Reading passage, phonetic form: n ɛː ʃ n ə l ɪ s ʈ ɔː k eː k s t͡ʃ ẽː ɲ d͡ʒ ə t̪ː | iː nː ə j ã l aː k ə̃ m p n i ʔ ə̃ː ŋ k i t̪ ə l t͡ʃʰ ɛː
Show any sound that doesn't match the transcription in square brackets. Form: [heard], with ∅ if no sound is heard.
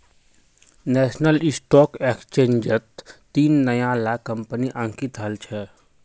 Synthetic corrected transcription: n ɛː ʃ n ə l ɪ s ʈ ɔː k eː k s t͡ʃ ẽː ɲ d͡ʒ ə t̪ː | iː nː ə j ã l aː k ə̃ m p n i ʔ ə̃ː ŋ k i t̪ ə l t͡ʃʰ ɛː

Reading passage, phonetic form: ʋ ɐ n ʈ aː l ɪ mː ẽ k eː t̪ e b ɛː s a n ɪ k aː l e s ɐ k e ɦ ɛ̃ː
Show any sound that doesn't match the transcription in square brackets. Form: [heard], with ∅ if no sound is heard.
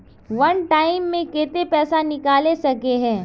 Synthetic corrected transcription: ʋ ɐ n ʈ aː [∅] ɪ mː ẽ k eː t̪ e [p] ɛː s a n ɪ k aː l e s ɐ k e ɦ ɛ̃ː

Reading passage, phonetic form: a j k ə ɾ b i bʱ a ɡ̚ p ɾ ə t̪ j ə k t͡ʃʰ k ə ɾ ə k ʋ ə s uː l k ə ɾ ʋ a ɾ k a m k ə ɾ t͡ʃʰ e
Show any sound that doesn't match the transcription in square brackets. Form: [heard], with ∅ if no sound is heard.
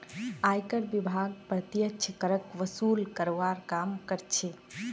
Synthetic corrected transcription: a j k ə ɾ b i bʱ a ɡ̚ p ɾ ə t̪ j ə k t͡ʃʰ k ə ɾ ə k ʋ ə s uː l k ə ɾ ʋ a ɾ k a m k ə ɾ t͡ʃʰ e

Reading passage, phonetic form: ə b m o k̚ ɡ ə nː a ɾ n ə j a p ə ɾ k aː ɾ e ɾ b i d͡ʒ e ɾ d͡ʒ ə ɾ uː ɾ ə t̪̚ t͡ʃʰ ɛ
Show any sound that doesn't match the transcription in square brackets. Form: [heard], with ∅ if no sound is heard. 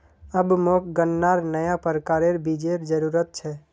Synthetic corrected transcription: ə b m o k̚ ɡ ə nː a ɾ n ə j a p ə ɾ k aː ɾ e ɾ b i d͡ʒ e ɾ d͡ʒ ə ɾ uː ɾ ə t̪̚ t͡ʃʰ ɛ

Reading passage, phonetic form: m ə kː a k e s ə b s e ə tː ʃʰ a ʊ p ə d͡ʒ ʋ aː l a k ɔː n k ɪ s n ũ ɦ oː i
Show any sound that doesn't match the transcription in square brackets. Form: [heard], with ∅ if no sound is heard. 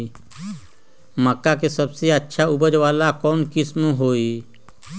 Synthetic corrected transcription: m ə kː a k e s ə b s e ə tː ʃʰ a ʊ [b] ə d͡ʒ ʋ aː l a k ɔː n k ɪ s [m] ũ ɦ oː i

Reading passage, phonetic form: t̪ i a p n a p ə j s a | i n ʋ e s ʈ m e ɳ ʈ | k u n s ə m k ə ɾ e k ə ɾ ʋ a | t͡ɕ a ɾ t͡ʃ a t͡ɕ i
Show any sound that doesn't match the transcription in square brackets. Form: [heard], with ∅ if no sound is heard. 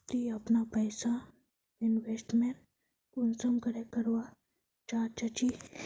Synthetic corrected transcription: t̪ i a p n a p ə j s a | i n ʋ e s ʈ m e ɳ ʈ | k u n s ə m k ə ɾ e k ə ɾ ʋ a | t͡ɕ a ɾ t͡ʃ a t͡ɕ i

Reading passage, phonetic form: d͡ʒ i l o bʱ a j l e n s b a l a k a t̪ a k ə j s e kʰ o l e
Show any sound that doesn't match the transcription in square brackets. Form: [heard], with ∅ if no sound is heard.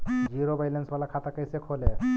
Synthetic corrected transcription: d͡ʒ i [ɾ] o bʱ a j l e n s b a l a [kʰ] a t̪ a k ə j s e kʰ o l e

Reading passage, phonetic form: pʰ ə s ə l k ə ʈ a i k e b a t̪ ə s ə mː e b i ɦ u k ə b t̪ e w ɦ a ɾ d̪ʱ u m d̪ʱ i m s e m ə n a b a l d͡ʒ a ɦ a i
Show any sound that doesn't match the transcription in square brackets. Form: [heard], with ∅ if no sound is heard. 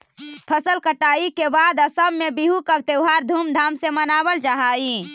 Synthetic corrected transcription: pʰ ə s ə l k ə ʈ a i k e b a [d̪] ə s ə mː e b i ɦ u k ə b t̪ e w ɦ a ɾ d̪ʱ u m d̪ʱ [a] m s e m ə n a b [ə] l d͡ʒ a ɦ a i

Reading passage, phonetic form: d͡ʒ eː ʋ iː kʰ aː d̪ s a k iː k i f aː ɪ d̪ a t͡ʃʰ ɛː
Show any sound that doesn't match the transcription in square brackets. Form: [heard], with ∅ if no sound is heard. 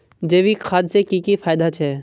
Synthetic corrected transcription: d͡ʒ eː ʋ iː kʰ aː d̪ s [e] k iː k i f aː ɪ d̪ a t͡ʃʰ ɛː

